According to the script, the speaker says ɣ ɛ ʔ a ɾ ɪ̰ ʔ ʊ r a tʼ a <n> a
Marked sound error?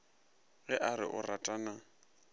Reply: no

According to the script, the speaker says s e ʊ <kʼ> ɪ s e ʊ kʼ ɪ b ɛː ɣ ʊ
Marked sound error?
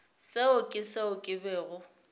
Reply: no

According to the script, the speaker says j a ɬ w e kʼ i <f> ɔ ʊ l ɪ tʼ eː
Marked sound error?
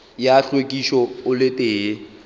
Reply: yes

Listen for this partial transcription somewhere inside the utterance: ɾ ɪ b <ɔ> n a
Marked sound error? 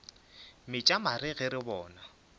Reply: yes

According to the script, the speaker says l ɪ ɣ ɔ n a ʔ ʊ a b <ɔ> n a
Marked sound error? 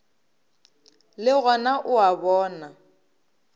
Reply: yes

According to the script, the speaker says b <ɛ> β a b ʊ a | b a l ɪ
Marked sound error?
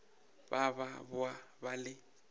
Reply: yes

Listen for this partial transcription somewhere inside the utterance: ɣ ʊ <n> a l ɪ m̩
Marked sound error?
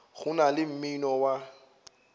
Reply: no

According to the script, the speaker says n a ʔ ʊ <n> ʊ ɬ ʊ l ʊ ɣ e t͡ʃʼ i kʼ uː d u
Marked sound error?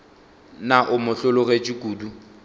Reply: yes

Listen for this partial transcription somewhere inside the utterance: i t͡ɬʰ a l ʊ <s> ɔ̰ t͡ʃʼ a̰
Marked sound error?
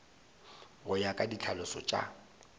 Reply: no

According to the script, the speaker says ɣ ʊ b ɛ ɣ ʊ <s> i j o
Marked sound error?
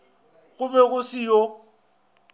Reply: no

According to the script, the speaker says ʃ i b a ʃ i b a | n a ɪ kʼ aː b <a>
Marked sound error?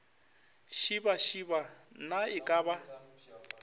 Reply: no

